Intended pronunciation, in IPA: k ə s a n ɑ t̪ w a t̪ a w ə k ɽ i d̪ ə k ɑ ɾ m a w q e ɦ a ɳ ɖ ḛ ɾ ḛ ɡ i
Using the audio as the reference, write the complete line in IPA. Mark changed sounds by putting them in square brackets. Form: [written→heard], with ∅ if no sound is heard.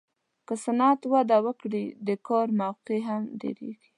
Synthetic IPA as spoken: k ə s a n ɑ t̪ w a [t̪→d̪] a w ə k ɽ i d̪ ə k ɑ ɾ m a w q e ɦ a [ɳ→m] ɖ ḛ ɾ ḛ ɡ i